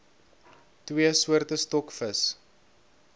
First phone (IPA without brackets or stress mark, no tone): t